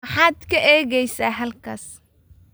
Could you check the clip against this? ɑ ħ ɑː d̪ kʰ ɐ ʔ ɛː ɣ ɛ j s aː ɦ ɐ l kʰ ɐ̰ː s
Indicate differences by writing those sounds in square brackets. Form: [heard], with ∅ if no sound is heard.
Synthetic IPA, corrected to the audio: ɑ ħ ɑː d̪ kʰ ɐ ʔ ɛː ɣ ɛ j s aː ɦ ɐ l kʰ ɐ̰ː s